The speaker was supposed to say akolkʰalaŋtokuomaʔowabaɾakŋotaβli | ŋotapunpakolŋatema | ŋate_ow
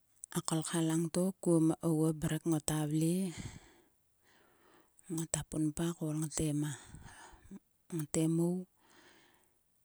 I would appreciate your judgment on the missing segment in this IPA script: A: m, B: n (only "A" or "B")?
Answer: A